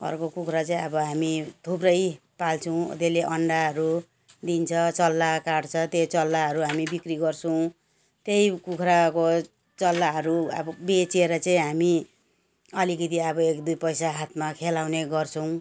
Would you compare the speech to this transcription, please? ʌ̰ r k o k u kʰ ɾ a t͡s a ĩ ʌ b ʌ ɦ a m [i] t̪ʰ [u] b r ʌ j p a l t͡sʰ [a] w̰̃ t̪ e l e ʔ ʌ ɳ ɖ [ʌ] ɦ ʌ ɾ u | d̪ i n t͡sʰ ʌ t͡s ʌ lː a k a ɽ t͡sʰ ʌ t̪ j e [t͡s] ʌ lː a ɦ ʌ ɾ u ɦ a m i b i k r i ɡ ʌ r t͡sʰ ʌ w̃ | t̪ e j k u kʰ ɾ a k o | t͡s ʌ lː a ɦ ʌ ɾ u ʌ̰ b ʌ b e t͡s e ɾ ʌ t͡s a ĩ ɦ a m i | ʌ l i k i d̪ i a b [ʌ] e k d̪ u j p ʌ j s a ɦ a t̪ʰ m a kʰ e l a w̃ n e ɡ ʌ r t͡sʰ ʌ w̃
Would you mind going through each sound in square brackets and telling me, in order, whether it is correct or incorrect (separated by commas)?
correct, correct, incorrect, incorrect, correct, correct